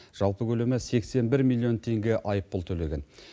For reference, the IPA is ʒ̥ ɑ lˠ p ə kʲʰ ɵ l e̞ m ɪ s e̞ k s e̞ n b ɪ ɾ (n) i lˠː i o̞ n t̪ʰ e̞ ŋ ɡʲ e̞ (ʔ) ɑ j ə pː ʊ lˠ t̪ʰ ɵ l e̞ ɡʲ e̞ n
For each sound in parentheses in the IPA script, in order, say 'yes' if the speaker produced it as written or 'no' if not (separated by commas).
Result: no, yes